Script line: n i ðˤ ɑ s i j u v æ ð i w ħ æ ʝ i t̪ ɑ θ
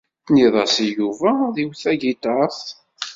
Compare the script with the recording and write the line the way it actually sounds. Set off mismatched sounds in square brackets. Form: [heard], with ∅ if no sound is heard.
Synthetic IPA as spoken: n i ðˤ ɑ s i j u v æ ð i w [θ] æ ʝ i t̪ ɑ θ